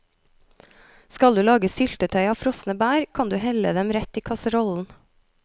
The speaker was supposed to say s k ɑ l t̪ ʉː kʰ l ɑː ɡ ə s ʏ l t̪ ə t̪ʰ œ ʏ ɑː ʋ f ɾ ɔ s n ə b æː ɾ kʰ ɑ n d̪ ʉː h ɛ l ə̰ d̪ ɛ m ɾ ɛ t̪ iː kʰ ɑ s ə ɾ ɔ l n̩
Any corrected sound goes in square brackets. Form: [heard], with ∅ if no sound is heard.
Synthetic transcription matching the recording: s k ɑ l [d̪] ʉː [∅] l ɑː ɡ ə s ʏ l t̪ ə t̪ʰ œ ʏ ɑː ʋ f ɾ ɔ s n ə b æː ɾ kʰ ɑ n d̪ ʉː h ɛ l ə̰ d̪ ɛ m ɾ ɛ t̪ iː kʰ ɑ s ə ɾ ɔ l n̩